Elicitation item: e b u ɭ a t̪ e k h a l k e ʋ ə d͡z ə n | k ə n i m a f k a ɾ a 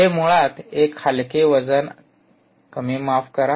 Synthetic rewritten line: e m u ɭ a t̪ e k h a l k e ʋ ə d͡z ə n | k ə m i m a f k ə ɾ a